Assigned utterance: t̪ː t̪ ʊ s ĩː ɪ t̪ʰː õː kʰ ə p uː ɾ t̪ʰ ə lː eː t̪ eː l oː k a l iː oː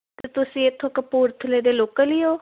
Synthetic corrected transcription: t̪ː t̪ ʊ s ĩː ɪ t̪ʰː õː k ə p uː ɾ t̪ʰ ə l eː d̪ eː l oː k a l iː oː